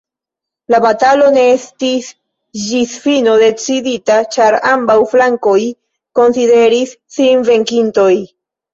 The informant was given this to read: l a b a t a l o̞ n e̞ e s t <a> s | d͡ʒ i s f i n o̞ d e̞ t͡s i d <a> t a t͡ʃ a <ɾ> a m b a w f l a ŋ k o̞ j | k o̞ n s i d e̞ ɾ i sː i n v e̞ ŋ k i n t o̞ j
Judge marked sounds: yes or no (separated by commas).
no, no, yes